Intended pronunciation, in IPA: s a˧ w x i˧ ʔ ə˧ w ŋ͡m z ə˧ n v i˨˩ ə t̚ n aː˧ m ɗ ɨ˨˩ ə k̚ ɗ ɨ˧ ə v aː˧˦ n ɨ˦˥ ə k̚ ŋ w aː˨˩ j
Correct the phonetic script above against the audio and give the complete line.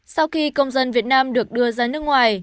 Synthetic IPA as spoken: s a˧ w x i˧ k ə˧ w ŋ͡m z ə˧ n v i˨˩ ə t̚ n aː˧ m ɗ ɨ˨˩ ə k̚ ɗ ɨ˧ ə z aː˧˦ n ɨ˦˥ ə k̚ ŋ w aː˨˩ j

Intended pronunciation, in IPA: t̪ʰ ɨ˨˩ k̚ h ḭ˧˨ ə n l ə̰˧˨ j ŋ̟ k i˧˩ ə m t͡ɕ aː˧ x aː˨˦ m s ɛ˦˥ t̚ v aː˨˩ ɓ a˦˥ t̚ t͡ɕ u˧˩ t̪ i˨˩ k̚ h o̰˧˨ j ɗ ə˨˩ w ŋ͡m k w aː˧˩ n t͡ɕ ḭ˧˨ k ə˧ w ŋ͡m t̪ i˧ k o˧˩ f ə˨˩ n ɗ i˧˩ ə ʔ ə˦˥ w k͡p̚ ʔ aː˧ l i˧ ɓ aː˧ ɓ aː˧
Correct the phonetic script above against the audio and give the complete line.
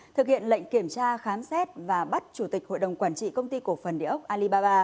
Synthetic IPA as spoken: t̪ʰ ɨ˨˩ k̚ h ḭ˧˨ ə n l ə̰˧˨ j ŋ̟ k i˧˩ ə m t͡ɕ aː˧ x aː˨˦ m s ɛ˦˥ t̚ v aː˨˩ ɓ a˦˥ t̚ t͡ɕ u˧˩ t̪ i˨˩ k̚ h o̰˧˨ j ɗ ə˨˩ w ŋ͡m k w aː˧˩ n t͡ɕ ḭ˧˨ k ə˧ w ŋ͡m t̪ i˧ k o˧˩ f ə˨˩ n ɗ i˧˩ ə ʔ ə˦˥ w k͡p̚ ʔ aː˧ l i˧ ɓ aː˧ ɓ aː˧

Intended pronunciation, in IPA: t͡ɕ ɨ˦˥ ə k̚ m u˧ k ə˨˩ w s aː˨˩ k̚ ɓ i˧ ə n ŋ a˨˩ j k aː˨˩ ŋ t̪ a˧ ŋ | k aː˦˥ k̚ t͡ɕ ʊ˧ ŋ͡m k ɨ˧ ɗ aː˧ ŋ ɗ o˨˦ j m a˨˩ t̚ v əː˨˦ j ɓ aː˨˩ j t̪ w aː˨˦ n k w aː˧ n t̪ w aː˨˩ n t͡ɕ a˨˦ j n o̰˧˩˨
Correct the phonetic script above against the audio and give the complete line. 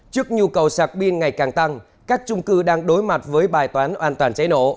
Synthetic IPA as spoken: t͡ɕ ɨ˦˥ ə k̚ ɲ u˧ k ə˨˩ w s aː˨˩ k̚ ɓ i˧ ə n ŋ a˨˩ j k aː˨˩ ŋ t̪ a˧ ŋ | k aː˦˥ k̚ t͡ɕ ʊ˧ ŋ͡m k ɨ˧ ɗ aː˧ ŋ ɗ o˨˦ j m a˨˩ t̚ v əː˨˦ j ɓ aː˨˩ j t̪ w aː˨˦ n ʔ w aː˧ n t̪ w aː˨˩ n t͡ɕ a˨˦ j n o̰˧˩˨

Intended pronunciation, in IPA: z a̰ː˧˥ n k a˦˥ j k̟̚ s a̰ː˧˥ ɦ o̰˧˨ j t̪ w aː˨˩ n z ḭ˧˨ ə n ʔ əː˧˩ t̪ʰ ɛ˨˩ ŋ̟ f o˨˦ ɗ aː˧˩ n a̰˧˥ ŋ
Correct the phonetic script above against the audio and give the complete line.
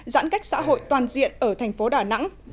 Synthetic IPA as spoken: z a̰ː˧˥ n k a˦˥ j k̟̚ s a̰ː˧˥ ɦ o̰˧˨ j t̪ w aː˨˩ n z ḭ˧˨ ə n ʔ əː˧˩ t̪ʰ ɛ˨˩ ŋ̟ f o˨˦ ɗ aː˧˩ n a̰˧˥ ŋ

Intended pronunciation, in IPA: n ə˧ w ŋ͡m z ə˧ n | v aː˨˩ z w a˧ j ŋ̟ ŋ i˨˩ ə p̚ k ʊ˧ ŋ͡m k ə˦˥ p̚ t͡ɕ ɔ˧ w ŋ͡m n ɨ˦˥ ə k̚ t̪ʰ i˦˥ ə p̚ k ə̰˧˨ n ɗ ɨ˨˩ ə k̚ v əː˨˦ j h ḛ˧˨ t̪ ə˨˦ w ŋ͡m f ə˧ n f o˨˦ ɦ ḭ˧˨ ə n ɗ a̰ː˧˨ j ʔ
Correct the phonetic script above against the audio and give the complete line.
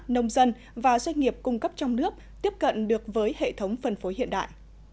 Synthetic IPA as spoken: n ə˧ w ŋ͡m z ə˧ n | v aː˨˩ z w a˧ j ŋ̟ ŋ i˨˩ ə p̚ k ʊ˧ ŋ͡m k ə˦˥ p̚ t͡ɕ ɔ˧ w ŋ͡m n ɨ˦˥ ə k̚ t̪ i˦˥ ə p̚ k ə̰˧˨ n ɗ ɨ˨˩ ə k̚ v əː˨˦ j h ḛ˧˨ t̪ʰ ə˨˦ w ŋ͡m f ə˨˩ n f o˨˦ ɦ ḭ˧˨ ə n ɗ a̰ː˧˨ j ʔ

